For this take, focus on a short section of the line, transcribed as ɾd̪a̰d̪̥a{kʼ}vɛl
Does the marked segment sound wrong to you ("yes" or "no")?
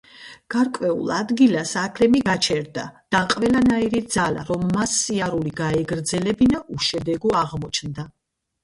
yes